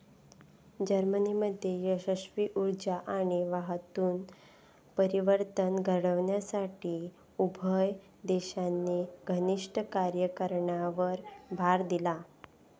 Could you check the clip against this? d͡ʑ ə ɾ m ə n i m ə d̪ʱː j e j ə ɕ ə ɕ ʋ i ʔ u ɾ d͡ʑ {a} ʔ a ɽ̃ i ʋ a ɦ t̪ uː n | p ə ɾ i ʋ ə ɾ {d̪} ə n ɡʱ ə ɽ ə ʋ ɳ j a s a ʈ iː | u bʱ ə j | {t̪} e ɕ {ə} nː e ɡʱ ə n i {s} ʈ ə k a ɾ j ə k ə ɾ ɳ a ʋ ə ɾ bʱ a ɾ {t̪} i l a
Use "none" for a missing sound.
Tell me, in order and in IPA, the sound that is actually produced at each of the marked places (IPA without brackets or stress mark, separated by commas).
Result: a, t̪, d̪, a, ʂ, d̪